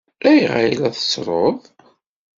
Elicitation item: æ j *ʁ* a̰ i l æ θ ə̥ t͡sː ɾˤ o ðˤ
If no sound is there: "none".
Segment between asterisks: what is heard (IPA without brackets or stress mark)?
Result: ʁ